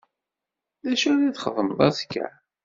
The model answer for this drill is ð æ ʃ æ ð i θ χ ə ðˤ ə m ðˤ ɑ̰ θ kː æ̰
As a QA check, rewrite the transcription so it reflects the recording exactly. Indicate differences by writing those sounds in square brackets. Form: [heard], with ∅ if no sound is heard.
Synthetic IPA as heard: ð æ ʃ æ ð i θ χ ə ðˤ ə m ðˤ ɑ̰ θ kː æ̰